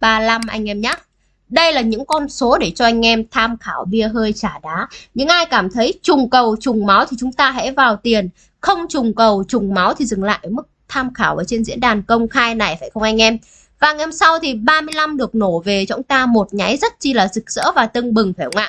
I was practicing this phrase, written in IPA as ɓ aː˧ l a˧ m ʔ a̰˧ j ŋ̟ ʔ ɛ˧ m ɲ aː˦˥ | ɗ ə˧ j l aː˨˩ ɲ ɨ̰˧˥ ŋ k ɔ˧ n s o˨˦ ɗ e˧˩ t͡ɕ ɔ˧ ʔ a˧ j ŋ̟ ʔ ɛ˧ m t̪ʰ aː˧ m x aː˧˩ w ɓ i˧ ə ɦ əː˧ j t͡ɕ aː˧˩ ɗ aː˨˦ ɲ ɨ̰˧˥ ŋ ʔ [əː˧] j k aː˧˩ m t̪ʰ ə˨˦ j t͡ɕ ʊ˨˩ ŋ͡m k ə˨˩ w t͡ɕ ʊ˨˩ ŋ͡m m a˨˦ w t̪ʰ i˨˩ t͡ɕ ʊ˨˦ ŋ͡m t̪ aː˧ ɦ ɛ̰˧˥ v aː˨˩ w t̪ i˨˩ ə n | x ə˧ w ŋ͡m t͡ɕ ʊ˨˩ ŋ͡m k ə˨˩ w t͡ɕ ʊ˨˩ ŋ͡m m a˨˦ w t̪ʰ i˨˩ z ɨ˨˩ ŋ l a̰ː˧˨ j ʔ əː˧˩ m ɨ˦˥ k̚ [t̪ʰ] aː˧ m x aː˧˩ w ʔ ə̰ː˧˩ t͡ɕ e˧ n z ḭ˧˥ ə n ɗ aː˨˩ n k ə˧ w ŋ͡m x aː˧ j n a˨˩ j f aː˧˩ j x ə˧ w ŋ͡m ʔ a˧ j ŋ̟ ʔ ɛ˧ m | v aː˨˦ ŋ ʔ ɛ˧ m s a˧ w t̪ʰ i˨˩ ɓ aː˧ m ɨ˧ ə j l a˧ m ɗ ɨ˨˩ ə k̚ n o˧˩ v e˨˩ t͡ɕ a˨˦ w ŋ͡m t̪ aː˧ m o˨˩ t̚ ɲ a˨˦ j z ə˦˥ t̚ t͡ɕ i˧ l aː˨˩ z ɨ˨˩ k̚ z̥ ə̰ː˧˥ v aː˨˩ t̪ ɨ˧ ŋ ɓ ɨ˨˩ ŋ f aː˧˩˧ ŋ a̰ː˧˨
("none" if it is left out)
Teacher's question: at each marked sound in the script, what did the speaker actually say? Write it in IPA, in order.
aː˧, t̪ʰ

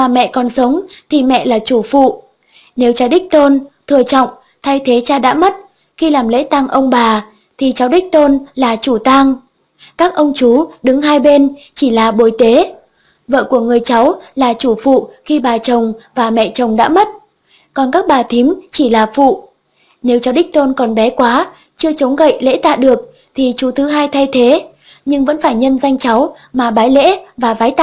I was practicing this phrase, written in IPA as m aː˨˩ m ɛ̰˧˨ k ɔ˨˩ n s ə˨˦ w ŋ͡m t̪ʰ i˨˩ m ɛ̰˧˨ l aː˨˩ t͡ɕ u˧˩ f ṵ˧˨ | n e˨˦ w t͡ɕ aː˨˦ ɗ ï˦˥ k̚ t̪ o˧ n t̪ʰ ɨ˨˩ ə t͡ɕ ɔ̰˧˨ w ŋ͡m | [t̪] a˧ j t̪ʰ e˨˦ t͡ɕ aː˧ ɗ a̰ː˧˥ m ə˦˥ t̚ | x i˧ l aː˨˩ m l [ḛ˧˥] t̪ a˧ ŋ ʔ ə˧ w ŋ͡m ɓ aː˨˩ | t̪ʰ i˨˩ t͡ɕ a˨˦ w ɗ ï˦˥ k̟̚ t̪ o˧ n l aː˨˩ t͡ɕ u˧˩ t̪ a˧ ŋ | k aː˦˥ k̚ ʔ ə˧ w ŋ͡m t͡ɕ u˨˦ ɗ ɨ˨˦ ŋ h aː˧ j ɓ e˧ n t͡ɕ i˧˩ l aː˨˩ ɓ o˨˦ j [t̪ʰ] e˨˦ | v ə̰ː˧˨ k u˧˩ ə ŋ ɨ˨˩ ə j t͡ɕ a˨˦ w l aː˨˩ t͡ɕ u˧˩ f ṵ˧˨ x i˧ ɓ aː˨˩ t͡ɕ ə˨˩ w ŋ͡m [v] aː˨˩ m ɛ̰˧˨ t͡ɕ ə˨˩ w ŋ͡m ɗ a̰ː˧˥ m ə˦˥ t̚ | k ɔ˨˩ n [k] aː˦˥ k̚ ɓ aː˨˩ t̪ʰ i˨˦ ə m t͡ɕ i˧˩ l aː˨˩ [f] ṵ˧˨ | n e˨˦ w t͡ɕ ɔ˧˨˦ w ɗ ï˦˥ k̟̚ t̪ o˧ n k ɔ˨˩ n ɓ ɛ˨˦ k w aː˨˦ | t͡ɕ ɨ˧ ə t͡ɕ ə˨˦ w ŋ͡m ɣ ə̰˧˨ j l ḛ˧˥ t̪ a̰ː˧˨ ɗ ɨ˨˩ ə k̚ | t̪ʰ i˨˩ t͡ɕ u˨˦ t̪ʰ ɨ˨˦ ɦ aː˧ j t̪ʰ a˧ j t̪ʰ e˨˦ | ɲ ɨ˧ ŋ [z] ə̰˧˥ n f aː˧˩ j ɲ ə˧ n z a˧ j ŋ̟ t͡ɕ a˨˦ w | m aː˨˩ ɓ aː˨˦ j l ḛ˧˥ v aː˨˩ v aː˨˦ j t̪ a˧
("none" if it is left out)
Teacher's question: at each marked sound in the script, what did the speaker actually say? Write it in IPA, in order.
t̪ʰ, ḛ˧˥, t̪, v, k, f, v

